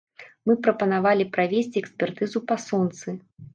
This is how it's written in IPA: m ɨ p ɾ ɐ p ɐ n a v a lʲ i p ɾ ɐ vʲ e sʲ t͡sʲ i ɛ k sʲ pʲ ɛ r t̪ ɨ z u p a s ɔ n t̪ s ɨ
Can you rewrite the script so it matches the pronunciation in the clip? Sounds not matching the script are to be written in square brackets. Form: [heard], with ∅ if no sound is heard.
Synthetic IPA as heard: m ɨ p ɾ ɐ p ɐ n a v a lʲ i p ɾ [a] vʲ e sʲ t͡sʲ i ɛ k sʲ pʲ ɛ r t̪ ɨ z u p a s ɔ n t̪ s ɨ

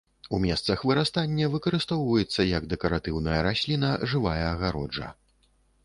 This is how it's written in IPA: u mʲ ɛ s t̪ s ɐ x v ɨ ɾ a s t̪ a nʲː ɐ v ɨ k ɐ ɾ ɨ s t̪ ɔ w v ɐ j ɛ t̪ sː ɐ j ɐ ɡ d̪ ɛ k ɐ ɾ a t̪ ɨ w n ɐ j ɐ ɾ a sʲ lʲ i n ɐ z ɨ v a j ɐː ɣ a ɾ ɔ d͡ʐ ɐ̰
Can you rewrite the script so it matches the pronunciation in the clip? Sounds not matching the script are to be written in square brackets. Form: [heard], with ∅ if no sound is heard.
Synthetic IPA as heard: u mʲ ɛ s t̪ s ɐ x v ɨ ɾ a s t̪ a nʲː ɐ v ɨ k ɐ ɾ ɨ s t̪ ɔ w v ɐ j ɛ t̪ sː ɐ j ɐ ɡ d̪ ɛ k ɐ ɾ a t̪ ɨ w n ɐ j ɐ ɾ a sʲ lʲ i n ɐ [ʐ] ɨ v a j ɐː ɣ a ɾ ɔ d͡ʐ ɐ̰

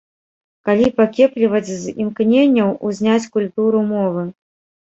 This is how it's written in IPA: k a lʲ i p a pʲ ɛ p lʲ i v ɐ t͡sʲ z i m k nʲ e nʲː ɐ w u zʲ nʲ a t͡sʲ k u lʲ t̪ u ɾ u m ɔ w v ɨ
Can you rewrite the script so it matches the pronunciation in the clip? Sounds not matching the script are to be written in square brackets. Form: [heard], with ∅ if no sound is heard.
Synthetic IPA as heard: k a lʲ i p a [kʲ] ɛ p lʲ i v ɐ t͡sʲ z i m k nʲ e nʲː ɐ w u zʲ nʲ a t͡sʲ k u lʲ t̪ u ɾ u m ɔ [∅] v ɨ

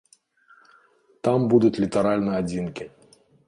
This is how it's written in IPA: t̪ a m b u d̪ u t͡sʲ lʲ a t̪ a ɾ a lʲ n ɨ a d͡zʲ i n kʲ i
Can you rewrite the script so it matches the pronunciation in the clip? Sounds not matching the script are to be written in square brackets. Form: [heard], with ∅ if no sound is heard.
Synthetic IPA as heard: t̪ a m b u d̪ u t͡sʲ lʲ [i] t̪ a ɾ a lʲ n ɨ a d͡zʲ i n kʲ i

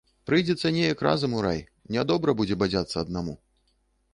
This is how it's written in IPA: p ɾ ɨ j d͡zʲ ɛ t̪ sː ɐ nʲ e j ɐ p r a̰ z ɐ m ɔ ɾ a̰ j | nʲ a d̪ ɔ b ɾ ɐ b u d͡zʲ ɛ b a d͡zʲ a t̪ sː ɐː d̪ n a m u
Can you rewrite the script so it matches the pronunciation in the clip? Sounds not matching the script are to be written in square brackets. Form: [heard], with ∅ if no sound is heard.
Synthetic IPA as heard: p ɾ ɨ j d͡zʲ ɛ t̪ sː ɐ nʲ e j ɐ [k] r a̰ z ɐ m [u] ɾ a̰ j | nʲ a d̪ ɔ b ɾ ɐ b u d͡zʲ ɛ b a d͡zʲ a t̪ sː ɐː d̪ n a m u

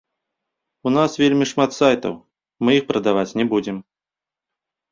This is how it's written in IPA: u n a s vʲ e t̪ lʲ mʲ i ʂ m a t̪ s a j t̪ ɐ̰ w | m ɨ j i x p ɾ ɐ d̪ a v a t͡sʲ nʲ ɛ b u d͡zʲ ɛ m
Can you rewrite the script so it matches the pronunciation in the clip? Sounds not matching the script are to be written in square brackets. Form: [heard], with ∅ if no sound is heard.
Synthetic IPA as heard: u n a s vʲ e [∅] lʲ mʲ i ʂ m a t̪ s a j t̪ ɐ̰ w | m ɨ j i x p ɾ ɐ d̪ a v a t͡sʲ nʲ ɛ b u d͡zʲ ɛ m

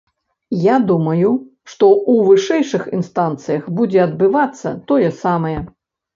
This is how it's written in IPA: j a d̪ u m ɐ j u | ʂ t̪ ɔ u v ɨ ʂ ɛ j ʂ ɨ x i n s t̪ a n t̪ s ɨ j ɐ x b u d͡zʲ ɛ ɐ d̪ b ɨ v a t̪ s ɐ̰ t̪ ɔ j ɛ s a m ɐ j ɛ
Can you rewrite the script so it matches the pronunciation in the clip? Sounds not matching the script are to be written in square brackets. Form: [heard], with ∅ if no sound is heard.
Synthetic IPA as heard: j a d̪ u m ɐ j u | ʂ t̪ ɔ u v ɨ ʂ ɛ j ʂ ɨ x i n s t̪ a n t̪ s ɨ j ɐ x b u d͡zʲ ɛ ɐ d̪ b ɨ v a t̪ [sː] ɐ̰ t̪ ɔ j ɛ s a m ɐ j ɛ

